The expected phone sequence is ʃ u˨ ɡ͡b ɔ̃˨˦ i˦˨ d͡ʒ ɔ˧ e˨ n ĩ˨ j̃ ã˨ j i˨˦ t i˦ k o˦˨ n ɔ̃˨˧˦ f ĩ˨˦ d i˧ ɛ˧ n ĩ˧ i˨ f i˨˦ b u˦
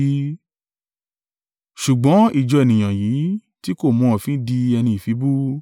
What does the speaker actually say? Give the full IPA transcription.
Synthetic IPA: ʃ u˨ ɡ͡b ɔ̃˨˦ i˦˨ d͡ʒ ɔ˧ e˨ n ĩ˨ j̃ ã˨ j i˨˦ t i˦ k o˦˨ m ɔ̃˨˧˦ f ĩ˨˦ d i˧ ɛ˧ n ĩ˧ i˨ f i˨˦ b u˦